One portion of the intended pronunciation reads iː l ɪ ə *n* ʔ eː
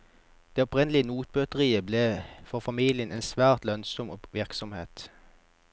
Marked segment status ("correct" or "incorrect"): correct